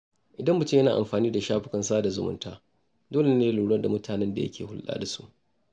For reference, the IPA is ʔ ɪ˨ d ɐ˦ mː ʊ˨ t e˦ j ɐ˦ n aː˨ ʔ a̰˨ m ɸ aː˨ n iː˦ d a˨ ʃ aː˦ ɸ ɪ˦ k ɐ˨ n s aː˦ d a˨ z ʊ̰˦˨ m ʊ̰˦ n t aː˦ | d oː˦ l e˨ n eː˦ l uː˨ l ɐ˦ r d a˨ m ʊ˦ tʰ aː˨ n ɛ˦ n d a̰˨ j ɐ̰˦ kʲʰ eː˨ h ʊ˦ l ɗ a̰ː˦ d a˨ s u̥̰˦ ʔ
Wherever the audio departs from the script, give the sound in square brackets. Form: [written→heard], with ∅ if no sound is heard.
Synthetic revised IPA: ʔ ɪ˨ d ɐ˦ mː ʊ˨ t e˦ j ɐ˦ n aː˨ ʔ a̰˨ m ɸ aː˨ n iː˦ d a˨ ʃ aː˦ ɸ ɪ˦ k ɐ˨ n s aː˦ d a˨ z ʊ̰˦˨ m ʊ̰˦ n t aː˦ | d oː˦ l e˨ n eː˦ l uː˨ [l→ɽ] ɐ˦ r d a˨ m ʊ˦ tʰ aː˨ n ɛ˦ n d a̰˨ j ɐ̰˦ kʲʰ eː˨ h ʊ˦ l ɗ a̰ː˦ d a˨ s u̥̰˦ ʔ